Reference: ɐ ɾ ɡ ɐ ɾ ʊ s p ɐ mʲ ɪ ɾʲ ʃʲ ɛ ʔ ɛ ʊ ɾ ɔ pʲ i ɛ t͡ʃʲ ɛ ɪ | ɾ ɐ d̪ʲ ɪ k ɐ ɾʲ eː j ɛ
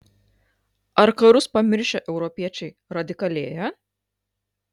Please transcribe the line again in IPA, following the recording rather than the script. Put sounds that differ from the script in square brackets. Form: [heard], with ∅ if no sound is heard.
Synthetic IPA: ɐ ɾ [k] ɐ ɾ ʊ s p ɐ mʲ ɪ ɾʲ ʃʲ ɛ ʔ ɛ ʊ ɾ ɔ pʲ i ɛ t͡ʃʲ ɛ ɪ | ɾ ɐ d̪ʲ ɪ k ɐ [lʲ] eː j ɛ

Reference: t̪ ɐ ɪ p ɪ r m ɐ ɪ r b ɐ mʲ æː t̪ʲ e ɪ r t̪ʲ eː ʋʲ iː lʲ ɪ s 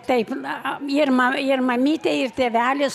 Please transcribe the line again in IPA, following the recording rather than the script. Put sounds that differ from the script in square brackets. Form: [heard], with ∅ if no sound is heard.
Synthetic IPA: t̪ ɐ ɪ p ɪ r m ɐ ɪ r [m] ɐ mʲ [iː] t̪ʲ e ɪ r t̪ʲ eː ʋʲ [æː] lʲ ɪ s

